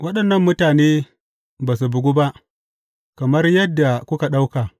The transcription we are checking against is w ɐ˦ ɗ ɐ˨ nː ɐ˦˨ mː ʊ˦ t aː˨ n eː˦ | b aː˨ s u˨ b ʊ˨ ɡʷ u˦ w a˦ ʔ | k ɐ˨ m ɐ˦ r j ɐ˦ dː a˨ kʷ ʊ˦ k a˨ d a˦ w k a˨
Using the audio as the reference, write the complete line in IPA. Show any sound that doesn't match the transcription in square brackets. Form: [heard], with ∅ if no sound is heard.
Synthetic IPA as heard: w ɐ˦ ɗ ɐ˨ nː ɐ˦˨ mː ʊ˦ t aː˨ n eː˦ | b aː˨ s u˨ b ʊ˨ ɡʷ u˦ [b] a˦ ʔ | k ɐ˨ m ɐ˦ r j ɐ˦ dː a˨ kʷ ʊ˦ k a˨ [ɗ] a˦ w k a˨